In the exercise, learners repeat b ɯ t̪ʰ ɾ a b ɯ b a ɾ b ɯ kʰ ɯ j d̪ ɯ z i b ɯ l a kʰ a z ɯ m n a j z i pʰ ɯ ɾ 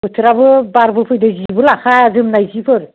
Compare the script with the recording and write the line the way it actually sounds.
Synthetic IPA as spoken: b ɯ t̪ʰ ɾ a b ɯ b a ɾ b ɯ pʰ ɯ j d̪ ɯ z i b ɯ l a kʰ a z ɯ m n a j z i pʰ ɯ ɾ

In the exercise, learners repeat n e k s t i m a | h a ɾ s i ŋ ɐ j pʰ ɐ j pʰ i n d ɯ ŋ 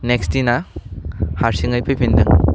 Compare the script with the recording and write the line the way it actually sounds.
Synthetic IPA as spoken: n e k s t i n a | h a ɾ s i ŋ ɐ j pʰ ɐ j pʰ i n d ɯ ŋ

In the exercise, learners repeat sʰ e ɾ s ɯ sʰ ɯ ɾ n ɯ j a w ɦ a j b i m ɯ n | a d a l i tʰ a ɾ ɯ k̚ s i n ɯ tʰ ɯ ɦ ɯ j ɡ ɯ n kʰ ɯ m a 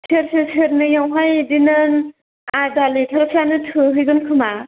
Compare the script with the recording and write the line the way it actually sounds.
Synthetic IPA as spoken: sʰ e ɾ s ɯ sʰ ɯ ɾ n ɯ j a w ɦ a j d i n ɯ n | a d a l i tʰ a ɾ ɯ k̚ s a n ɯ tʰ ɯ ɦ ɯ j ɡ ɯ n kʰ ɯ m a

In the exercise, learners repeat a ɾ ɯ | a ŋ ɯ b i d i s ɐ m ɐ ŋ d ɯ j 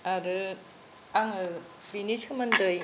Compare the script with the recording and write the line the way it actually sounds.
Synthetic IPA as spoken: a ɾ ɯ | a ŋ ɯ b i n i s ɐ m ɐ n d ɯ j

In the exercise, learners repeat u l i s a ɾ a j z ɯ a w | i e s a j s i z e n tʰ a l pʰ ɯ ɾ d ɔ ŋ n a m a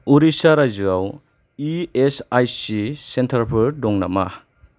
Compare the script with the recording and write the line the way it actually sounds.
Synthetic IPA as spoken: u ɾ i s a ɾ a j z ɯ a w | i e s a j s i s e n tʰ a ɾ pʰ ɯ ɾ d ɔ ŋ n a m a

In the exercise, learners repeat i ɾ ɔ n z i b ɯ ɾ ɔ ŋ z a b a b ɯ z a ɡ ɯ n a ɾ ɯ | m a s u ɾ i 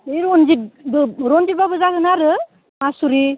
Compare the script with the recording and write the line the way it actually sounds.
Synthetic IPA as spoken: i ɾ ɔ n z i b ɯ ɾ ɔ n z i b a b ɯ z a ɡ ɯ n a ɾ ɯ | m a s u ɾ i

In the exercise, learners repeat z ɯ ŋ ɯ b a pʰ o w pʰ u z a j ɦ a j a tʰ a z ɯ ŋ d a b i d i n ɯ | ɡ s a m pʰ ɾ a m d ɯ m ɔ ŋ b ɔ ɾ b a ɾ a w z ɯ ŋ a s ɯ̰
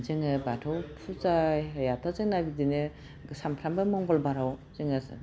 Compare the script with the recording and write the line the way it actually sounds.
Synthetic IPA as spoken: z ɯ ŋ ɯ b a tʰ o w pʰ u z a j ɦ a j a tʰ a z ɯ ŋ n a b i d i n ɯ | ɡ s a m pʰ ɾ a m b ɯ m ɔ ŋ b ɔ l b a ɾ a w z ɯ ŋ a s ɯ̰

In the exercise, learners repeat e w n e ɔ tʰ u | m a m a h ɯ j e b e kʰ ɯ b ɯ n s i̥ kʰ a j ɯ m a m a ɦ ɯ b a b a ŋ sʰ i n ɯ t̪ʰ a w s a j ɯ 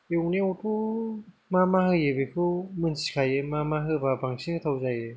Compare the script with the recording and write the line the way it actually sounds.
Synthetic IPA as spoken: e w n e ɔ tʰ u | m a m a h ɯ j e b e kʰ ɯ m ɯ n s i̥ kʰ a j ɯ m a m a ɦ ɯ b a b a ŋ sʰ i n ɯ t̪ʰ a w z a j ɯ

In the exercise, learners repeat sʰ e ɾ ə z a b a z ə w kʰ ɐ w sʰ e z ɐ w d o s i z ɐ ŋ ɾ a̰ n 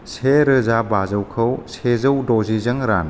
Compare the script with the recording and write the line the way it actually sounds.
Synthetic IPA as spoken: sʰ e ɾ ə z a b a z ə w kʰ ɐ w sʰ e z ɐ w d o z i z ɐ ŋ ɾ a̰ n

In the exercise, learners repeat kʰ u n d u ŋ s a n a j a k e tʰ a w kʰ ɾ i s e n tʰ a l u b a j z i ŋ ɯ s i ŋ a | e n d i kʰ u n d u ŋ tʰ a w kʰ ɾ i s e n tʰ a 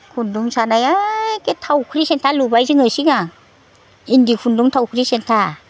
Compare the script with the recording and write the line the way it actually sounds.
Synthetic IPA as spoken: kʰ u n d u ŋ s a n a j a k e tʰ a w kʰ ɾ i s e n tʰ a l u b a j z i ŋ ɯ s i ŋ a | i n d i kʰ u n d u ŋ tʰ a w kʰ ɾ i s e n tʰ a

